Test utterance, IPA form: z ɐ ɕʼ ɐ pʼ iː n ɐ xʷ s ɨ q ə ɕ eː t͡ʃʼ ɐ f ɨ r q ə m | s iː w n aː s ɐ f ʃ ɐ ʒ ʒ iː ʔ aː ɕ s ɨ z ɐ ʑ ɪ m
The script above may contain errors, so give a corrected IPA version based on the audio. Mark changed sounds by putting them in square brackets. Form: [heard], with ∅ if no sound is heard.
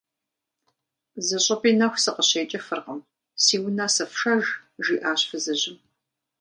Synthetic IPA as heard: z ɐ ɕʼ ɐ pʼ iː n ɐ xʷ s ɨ q ə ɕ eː t͡ʃʼ ɐ f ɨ r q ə m | s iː w n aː s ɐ f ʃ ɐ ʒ ʒ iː ʔ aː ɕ [f] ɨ z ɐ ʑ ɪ m